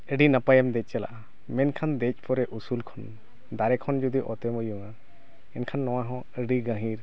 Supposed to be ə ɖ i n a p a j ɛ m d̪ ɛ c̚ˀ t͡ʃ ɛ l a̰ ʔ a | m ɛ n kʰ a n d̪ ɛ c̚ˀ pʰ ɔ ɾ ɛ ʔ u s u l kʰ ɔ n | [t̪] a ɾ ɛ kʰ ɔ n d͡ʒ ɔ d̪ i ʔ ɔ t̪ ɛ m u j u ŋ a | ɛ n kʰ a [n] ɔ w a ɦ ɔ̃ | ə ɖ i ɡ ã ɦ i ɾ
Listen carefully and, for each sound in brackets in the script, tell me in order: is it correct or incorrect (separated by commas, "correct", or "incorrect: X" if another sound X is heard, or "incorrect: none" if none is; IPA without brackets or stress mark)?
incorrect: d̪, incorrect: nː